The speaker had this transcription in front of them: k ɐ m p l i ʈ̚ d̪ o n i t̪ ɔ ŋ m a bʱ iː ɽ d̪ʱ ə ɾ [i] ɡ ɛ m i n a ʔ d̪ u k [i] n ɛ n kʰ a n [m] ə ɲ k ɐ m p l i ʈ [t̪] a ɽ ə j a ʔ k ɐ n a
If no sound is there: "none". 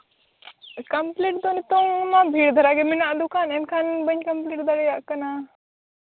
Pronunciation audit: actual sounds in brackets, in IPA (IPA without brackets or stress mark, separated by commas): a, a, b, d̪